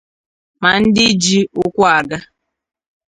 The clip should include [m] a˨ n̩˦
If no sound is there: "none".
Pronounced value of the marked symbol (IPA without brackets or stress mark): m